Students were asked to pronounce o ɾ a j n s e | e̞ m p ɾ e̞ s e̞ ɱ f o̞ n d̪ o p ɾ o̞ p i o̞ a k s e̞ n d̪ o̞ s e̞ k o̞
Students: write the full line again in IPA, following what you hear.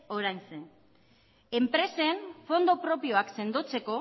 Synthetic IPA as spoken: o ɾ a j n s e | e̞ m p ɾ e̞ s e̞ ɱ f o̞ n d̪ o p ɾ o̞ p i o̞ a k s e̞ n d̪ o̞ t͡s e̞ k o̞

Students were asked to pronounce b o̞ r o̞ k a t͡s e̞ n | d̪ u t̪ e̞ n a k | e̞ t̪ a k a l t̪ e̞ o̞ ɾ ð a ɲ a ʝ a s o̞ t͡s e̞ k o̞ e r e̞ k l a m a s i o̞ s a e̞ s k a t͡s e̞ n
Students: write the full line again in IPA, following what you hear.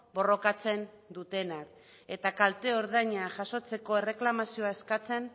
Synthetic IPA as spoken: b o̞ r o̞ k a t͡s e̞ n | d̪ u t̪ e̞ n a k | e̞ t̪ a k a l t̪ e̞ o̞ ɾ ð a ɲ a ʝ a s o̞ t͡s e̞ k o̞ e r e̞ k l a m a s i o̞ a e̞ s k a t͡s e̞ n

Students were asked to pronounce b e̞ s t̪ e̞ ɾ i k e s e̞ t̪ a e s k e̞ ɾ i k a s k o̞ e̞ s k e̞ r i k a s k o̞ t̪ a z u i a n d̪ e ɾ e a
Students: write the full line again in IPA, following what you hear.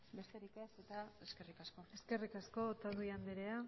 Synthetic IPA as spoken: b e̞ s t̪ e̞ ɾ i k e s e̞ t̪ a e s k e̞ r i k a s k o̞ e̞ s k e̞ r i k a s k o̞ t̪ a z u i a n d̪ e ɾ e a

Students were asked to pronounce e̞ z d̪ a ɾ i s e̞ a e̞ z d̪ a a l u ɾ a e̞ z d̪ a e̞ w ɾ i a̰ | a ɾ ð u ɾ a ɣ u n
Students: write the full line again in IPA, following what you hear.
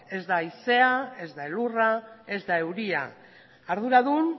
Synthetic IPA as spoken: e̞ z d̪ a i s e̞ a e̞ z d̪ a e l u r a e̞ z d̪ a e̞ w ɾ i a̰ | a ɾ ð u ɾ a ð u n

